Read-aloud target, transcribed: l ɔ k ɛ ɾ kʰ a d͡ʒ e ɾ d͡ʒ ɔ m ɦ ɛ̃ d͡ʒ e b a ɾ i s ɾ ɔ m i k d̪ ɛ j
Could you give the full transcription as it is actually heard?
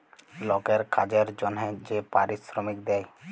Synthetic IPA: l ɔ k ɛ ɾ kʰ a d͡ʒ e ɾ d͡ʒ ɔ n ɦ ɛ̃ d͡ʒ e p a ɾ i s ɾ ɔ m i k d̪ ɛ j